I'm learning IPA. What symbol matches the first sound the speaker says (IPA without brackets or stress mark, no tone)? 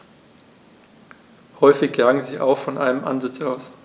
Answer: h